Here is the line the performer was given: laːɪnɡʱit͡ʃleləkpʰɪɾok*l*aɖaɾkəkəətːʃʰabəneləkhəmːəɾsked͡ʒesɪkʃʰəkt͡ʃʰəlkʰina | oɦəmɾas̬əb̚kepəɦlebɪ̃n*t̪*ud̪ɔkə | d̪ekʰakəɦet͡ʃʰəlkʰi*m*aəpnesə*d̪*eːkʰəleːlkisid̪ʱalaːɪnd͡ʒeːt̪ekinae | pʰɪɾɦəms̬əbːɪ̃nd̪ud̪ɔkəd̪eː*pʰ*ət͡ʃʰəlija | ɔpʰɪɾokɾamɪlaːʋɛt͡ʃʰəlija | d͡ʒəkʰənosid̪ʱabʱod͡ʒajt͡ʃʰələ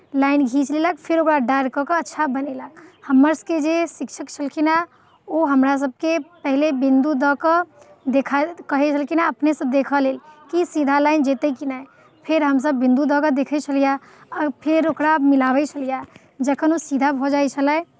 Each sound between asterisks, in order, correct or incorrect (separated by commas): incorrect, incorrect, incorrect, correct, incorrect